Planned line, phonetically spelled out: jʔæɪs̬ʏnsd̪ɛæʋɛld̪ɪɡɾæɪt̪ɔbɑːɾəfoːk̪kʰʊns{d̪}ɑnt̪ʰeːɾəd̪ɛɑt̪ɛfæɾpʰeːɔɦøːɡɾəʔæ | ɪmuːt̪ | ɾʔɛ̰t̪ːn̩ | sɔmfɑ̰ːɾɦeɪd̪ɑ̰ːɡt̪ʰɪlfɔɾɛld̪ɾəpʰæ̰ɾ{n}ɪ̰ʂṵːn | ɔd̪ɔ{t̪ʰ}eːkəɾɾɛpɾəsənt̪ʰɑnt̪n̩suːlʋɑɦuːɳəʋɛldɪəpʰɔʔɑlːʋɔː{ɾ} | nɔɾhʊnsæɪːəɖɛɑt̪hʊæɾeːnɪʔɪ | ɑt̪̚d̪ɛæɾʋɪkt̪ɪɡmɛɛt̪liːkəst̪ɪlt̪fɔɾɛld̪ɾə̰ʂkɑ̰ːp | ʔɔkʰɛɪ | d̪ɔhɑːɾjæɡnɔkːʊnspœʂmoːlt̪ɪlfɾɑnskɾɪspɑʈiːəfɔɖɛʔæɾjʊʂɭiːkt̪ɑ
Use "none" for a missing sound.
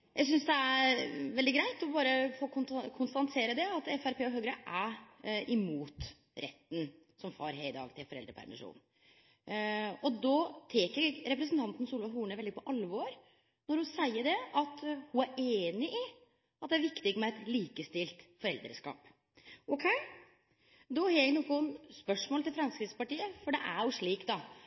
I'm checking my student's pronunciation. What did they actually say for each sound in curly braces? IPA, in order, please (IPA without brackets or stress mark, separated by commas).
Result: t̪, m, t̪ʰ, ɾ